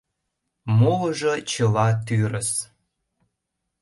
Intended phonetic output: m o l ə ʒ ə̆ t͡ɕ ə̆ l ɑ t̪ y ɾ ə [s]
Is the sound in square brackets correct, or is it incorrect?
correct